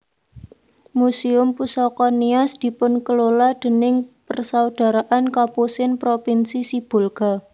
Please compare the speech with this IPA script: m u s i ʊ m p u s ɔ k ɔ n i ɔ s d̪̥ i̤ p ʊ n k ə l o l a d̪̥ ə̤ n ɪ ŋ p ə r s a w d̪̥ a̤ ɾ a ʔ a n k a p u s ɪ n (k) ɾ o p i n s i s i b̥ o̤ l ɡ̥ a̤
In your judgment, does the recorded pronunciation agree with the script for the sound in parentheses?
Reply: no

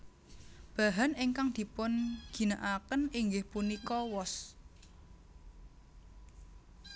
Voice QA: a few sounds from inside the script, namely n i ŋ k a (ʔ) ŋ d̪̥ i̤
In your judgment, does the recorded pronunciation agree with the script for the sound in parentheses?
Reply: no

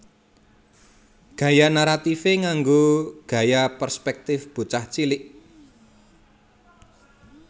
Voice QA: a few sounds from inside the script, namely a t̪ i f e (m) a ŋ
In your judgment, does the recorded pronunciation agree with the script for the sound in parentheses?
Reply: no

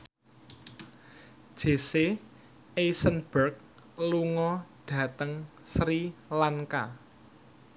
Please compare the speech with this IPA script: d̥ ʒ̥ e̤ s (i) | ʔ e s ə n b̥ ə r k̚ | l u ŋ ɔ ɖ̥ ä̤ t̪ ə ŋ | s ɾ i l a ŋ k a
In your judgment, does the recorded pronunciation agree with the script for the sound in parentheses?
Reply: no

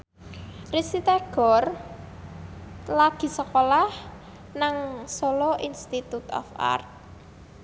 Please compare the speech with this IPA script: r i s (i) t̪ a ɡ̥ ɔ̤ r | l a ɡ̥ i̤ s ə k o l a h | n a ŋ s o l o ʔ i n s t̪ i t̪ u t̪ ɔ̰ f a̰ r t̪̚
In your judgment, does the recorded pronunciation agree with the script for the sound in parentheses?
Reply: yes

